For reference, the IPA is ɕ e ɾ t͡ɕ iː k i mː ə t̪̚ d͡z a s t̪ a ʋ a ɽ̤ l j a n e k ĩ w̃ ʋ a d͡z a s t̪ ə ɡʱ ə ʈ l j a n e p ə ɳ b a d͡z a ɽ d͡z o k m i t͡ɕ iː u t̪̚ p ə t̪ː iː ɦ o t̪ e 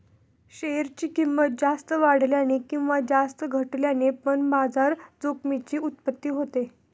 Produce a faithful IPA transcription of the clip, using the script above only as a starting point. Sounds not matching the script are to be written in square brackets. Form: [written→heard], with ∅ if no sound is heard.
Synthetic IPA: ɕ e ɾ t͡ɕ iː k i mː ə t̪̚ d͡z a s t̪ [a→ə] ʋ a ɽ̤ l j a n e k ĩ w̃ ʋ a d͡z a s t̪ ə ɡʱ ə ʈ l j a n e p ə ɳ b a d͡z a [ɽ→ɾ] d͡z o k m i t͡ɕ iː u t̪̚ p ə t̪ː iː ɦ o t̪ e

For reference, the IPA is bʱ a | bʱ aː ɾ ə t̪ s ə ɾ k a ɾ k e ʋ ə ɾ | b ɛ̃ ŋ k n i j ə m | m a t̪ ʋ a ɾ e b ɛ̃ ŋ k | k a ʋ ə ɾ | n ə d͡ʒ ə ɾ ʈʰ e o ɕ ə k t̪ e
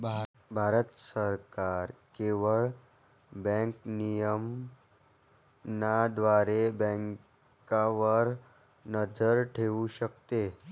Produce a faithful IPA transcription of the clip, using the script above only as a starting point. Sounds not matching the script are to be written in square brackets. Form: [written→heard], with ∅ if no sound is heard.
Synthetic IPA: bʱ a | bʱ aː ɾ ə t̪ s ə ɾ k a ɾ k e ʋ ə [ɾ→ɭ] | b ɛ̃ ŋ k n i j ə m | [m→n] a [t̪→d̪] ʋ a ɾ e b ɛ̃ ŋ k | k a ʋ ə ɾ | n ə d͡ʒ ə ɾ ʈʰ e [o→u] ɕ ə k t̪ e

